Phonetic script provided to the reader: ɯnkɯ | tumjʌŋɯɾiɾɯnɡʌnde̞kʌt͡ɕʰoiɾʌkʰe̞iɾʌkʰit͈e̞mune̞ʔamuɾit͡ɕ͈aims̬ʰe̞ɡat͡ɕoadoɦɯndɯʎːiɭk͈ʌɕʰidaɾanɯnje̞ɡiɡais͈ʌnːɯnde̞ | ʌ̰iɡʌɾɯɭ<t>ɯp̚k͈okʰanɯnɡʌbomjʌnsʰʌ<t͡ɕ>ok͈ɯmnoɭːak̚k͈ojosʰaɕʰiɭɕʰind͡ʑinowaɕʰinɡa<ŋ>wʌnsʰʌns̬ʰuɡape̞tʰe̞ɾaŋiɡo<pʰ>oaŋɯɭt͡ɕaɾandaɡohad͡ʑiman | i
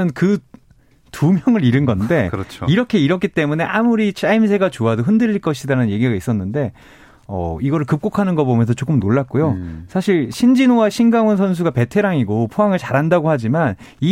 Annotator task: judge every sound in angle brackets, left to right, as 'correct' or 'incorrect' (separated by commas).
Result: incorrect, correct, correct, correct